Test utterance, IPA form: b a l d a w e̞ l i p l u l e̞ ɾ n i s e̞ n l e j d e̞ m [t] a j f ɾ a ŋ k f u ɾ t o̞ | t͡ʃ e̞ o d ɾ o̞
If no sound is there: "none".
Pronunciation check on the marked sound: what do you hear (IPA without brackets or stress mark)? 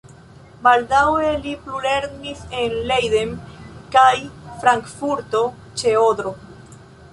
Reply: k